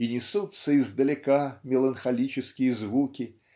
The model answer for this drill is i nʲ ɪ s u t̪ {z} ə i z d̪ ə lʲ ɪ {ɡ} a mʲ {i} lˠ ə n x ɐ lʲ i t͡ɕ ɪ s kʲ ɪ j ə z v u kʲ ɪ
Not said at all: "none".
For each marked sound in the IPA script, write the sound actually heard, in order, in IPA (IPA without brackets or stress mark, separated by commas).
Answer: s, k, ɪ